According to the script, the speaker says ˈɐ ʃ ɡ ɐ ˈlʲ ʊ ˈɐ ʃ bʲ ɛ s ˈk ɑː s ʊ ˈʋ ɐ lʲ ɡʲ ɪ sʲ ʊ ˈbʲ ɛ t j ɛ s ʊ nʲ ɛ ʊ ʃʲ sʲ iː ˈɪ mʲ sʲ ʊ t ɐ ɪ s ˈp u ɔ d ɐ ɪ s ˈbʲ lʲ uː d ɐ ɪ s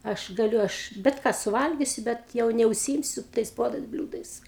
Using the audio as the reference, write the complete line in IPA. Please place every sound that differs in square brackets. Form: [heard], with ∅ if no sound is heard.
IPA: ˈɐ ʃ ɡ ɐ ˈlʲ ʊ ˈɐ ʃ bʲ ɛ [t] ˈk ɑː s ʊ ˈʋ ɐ lʲ ɡʲ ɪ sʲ ʊ ˈbʲ ɛ t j ɛ [∅] ʊ nʲ ɛ ʊ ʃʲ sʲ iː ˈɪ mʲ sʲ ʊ t ɐ ɪ s ˈp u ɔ d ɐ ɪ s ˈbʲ lʲ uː d ɐ ɪ s